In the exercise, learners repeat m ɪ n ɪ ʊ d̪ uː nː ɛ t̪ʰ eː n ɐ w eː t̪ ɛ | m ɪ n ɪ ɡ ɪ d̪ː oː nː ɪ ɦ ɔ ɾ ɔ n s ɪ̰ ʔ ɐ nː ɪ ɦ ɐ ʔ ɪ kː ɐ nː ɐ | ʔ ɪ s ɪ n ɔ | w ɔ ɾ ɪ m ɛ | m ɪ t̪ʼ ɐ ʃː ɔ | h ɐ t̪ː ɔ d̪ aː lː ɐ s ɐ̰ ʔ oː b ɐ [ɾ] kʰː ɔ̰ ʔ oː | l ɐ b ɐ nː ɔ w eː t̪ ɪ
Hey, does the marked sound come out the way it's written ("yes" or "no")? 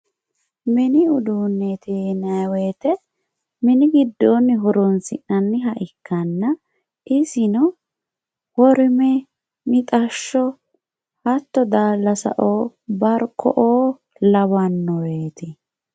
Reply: yes